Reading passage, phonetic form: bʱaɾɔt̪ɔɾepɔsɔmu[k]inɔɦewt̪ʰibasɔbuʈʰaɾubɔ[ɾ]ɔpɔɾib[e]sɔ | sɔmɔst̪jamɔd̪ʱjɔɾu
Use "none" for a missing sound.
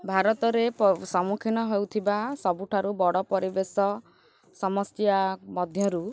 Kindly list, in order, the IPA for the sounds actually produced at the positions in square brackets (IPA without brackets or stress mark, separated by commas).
kʰ, ɽ, e